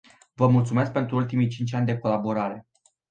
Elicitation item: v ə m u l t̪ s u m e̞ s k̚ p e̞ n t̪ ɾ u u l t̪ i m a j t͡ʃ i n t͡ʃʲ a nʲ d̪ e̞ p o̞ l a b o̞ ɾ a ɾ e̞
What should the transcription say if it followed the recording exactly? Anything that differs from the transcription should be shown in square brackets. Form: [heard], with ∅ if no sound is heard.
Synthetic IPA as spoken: v ə m u l t̪ s u m e̞ s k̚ p e̞ n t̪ ɾ u u l t̪ i m [i] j t͡ʃ i n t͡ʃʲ a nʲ d̪ e̞ [k] o̞ l a b o̞ ɾ a ɾ e̞